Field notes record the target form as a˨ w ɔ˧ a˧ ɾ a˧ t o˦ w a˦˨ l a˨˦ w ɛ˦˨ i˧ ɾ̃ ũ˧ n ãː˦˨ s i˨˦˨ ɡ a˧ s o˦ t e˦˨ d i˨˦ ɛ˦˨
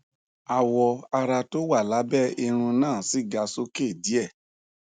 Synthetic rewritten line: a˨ w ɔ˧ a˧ ɾ a˧ t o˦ w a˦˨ l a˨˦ b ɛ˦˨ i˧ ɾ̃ ũ˧ n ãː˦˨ s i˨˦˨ ɡ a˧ s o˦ k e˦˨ d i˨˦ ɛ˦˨